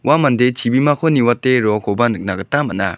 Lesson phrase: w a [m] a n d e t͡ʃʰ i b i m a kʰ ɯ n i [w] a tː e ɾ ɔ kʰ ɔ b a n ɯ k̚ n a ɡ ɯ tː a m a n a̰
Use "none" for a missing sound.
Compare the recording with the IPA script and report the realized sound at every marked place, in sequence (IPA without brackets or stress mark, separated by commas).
m, w